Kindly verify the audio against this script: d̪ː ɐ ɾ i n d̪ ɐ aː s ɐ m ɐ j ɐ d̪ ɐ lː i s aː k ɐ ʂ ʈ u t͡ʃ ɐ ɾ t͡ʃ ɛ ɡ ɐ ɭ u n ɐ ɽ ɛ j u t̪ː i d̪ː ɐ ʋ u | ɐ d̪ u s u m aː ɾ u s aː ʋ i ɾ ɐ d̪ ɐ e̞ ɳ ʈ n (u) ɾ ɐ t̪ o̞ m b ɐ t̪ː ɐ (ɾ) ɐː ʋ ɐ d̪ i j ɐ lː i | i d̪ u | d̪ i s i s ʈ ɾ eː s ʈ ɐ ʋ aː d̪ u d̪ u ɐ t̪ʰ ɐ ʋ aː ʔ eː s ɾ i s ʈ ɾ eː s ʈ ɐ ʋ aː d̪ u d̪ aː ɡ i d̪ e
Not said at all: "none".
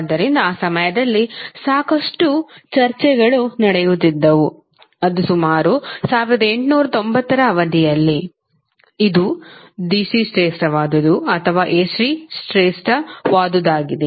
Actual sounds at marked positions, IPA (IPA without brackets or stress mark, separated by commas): uː, ɾ